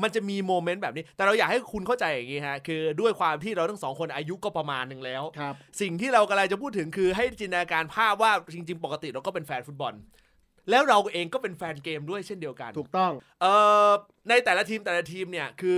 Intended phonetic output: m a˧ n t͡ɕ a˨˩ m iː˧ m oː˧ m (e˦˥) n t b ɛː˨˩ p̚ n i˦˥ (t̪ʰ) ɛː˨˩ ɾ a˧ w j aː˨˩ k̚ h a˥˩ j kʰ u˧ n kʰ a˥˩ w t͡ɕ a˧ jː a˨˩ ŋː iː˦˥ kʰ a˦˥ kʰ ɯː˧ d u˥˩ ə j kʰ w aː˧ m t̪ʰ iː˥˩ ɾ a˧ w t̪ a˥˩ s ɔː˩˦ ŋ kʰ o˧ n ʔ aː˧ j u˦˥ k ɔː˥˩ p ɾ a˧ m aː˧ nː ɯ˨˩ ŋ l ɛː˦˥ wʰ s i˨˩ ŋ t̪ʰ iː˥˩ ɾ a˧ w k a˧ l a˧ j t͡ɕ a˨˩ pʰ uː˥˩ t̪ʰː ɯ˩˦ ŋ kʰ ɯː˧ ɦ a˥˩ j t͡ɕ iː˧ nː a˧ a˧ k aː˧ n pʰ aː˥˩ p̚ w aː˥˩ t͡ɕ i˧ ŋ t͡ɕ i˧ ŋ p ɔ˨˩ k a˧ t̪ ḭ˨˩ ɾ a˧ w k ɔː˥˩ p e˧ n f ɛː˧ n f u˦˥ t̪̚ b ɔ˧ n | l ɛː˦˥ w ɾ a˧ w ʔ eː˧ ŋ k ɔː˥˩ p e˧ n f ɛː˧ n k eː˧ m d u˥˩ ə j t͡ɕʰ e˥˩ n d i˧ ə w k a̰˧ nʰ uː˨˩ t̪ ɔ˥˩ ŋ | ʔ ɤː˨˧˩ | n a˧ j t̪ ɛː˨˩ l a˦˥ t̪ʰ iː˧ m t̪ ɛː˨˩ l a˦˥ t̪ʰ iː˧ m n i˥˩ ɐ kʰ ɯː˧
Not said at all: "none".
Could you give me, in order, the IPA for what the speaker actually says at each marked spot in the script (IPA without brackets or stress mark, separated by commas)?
e˦˥, t̪